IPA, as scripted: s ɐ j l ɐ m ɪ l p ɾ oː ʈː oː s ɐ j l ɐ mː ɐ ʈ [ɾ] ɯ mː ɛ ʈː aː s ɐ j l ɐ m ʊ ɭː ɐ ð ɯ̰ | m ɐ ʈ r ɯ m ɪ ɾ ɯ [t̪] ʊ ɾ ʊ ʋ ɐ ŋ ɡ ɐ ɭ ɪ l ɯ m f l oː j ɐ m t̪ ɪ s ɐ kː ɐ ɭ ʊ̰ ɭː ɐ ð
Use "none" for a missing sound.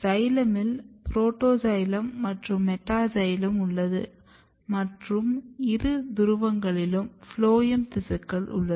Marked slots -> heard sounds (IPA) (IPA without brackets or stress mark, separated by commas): r, d̪